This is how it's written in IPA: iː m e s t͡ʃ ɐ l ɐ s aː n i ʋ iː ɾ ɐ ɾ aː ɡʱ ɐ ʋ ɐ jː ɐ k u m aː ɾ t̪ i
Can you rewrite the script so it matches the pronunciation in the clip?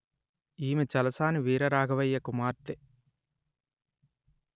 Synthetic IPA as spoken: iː m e t͡ʃ ɐ l ɐ s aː n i ʋ iː ɾ ɐ ɾ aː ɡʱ ɐ ʋ ɐ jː ɐ k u m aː ɾ t̪ e